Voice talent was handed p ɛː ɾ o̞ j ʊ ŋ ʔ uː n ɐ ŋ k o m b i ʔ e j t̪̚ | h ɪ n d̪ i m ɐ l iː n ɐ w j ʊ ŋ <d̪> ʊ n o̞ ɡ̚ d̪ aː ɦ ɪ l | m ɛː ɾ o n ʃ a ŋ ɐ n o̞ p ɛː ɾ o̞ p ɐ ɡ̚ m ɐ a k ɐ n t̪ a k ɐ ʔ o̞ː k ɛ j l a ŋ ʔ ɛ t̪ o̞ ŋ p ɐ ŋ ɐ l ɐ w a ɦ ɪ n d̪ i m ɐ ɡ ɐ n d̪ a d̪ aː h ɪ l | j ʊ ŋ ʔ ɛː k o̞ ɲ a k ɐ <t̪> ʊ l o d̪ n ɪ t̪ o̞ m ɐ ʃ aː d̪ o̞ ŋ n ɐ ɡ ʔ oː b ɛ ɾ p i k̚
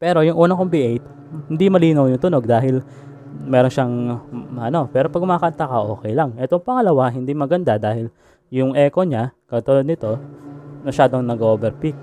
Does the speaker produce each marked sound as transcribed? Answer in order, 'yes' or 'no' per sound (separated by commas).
no, yes